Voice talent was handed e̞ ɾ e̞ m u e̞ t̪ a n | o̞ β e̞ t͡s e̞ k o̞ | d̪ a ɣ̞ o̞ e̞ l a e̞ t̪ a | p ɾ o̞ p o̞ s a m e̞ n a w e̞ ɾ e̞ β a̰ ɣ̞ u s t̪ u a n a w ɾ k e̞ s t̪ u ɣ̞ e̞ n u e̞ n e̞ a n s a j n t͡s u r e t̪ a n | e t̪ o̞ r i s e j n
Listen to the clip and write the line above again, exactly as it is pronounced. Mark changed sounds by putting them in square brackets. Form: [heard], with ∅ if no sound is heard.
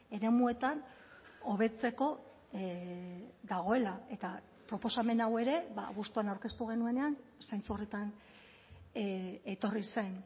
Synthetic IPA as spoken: e̞ ɾ e̞ m u e̞ t̪ a n | o̞ β e̞ t͡s e̞ k o̞ | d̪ a ɣ̞ o̞ e̞ l a e̞ t̪ a | p ɾ o̞ p o̞ s a m e̞ n a w e̞ ɾ e̞ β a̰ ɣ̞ u s t̪ u a n a w ɾ k e̞ s t̪ u ɣ̞ e̞ n u e̞ n e̞ a n s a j n t͡s u r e t̪ a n | e t̪ o̞ r i s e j n